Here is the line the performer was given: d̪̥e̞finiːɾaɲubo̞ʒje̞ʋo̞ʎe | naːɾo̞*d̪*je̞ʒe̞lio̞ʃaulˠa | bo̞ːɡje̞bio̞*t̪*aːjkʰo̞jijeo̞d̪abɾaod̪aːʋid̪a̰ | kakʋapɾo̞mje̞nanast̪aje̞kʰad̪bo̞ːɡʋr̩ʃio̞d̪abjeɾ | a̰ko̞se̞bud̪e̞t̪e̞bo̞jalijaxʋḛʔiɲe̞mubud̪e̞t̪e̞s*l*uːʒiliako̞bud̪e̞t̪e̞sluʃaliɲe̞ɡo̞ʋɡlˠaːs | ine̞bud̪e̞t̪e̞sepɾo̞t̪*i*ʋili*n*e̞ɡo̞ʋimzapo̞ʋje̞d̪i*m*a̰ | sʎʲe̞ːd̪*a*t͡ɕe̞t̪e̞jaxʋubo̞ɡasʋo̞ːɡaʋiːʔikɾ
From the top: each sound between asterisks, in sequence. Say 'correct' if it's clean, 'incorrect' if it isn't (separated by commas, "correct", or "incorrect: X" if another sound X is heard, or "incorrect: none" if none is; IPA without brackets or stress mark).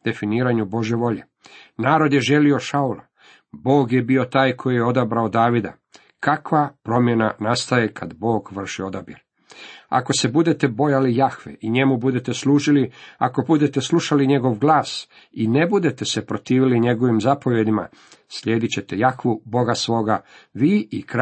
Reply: correct, correct, correct, incorrect: iː, incorrect: ɲ, correct, incorrect: i